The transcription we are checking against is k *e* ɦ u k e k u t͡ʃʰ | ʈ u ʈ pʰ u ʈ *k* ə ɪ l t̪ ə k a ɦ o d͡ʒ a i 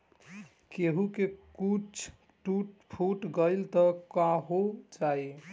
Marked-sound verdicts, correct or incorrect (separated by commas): correct, incorrect